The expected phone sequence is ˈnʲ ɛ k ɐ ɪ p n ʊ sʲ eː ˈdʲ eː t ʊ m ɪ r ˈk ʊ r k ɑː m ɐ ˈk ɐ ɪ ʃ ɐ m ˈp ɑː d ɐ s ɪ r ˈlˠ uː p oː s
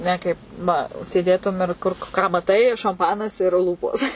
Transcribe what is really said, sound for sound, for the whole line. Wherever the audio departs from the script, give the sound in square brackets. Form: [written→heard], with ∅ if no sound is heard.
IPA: ˈnʲ ɛ k ɐ ɪ p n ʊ sʲ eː ˈdʲ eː t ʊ m ɪ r ˈk ʊ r k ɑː m ɐ [ˈk→ˈt] ɐ ɪ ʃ ɐ m ˈp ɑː [d→n] ɐ s ɪ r ˈlˠ uː p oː s